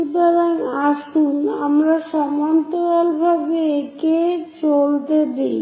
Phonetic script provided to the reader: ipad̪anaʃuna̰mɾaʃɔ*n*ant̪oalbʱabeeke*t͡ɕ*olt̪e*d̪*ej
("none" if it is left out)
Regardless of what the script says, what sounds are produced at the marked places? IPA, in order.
m, t͡ɕ, d̪

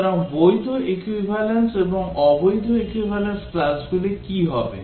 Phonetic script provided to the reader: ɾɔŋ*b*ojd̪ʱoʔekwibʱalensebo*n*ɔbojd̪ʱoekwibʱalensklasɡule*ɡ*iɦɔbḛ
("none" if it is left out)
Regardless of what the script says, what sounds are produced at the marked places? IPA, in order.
b, ŋ, k

